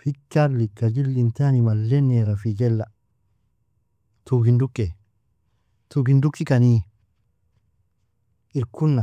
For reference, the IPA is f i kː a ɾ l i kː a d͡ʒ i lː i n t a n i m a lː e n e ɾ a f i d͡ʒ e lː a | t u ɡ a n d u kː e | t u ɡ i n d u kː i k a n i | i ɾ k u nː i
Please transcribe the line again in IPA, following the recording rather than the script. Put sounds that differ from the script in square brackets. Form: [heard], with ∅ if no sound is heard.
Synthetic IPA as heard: f i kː a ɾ l i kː a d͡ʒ i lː i n t a n i m a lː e n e ɾ a f i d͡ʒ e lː a | t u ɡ [i] n d u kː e | t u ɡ i n d u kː i k a n i | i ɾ k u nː [a]